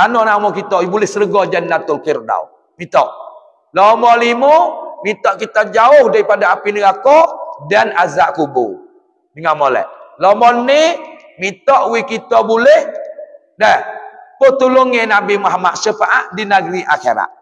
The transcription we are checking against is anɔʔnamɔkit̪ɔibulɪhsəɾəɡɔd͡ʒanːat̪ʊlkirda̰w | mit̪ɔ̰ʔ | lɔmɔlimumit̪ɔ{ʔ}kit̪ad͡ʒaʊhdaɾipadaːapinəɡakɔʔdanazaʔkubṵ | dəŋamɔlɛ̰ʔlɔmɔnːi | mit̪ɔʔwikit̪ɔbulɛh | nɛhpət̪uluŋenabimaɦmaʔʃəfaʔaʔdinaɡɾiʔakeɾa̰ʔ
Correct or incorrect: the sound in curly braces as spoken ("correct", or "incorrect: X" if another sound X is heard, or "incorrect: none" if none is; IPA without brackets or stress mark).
correct